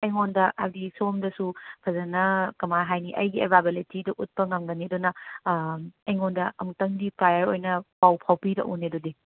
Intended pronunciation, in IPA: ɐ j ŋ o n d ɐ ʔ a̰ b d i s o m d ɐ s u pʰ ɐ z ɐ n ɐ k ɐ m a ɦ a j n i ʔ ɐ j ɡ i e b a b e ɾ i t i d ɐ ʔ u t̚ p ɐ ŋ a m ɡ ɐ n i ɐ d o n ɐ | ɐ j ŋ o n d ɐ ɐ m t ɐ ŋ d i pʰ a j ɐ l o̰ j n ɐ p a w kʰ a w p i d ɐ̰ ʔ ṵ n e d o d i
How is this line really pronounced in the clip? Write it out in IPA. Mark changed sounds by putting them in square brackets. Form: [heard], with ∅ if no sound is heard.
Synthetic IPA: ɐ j ŋ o n d ɐ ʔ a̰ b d i s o m d ɐ s u pʰ ɐ z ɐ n ɐ k ɐ m a ɦ a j n i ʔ ɐ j ɡ i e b a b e [l] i t i d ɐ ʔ u t̚ p ɐ ŋ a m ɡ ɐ n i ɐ d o n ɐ | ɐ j ŋ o n d ɐ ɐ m t ɐ ŋ d i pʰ a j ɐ [ɾ] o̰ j n ɐ p a w [pʰ] a w p i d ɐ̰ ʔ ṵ n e d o d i